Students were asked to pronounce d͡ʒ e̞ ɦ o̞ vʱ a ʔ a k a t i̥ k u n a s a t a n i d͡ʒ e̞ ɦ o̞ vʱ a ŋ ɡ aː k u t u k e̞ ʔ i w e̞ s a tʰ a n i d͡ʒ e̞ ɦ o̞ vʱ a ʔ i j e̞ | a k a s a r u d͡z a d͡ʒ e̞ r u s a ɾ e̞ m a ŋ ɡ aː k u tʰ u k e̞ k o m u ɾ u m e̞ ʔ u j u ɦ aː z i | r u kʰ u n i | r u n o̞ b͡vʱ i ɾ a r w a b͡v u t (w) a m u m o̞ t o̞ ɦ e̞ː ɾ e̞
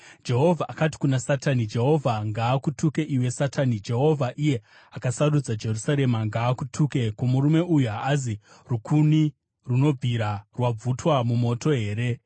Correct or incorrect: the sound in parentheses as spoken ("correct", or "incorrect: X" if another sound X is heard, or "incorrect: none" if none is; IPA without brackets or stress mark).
correct